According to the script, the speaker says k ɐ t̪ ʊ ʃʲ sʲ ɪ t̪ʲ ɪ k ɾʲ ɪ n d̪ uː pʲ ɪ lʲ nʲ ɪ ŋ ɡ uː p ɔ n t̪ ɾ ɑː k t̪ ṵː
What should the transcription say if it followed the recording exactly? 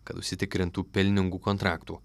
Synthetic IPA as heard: k ɐ t̪ ʊ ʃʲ sʲ ɪ t̪ʲ ɪ k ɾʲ ɪ n t̪ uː pʲ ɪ lʲ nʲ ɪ ŋ ɡ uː k ɔ n t̪ ɾ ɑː k t̪ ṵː